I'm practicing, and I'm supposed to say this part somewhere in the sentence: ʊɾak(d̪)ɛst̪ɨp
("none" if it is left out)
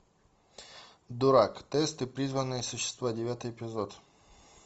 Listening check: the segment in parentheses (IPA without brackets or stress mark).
t̪